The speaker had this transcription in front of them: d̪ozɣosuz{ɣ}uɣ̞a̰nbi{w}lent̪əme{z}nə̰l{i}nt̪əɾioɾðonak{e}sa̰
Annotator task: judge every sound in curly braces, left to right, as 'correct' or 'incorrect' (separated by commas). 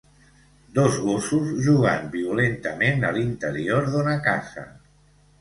incorrect, incorrect, incorrect, correct, incorrect